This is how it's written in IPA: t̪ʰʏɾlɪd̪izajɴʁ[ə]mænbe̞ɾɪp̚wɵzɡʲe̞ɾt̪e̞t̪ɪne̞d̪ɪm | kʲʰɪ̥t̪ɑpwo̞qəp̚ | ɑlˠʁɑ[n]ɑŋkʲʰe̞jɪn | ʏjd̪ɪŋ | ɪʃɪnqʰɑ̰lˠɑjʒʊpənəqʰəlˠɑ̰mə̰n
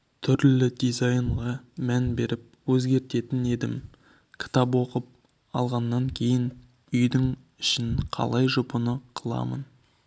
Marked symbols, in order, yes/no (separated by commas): no, no